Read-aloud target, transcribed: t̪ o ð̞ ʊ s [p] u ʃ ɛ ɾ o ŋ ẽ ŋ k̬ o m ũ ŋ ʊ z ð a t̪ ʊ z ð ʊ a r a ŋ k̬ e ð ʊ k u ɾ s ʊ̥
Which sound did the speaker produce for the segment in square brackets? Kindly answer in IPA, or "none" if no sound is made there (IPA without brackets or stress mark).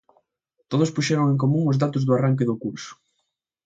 p